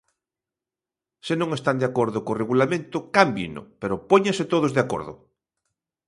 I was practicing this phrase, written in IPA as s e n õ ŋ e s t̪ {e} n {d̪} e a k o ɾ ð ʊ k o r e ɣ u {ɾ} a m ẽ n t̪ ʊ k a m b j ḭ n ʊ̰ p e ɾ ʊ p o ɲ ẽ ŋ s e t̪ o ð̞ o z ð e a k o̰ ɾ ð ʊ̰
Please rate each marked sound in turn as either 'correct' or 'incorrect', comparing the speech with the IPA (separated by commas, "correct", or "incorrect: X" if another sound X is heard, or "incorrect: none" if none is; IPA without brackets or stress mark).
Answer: incorrect: a, correct, incorrect: l